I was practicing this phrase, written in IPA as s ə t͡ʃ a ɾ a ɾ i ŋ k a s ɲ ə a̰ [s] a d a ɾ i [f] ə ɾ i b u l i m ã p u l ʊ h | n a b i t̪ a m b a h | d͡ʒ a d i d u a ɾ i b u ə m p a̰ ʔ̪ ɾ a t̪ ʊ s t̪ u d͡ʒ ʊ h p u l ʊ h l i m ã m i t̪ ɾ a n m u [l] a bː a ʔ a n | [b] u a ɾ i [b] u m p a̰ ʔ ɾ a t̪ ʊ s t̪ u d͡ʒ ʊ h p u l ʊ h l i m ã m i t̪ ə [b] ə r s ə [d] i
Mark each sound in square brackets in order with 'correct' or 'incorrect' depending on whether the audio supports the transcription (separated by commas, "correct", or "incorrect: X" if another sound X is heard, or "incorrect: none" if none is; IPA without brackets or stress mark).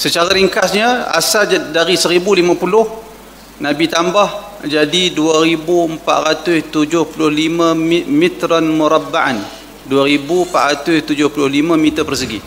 correct, incorrect: s, incorrect: ɾ, incorrect: d, correct, incorrect: p, incorrect: ɡ